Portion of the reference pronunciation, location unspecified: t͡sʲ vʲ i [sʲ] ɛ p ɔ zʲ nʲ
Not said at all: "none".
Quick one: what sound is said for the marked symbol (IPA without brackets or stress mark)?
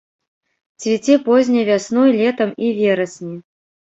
t͡sʲ